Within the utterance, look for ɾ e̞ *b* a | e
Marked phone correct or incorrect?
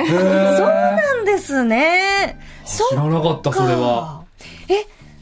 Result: incorrect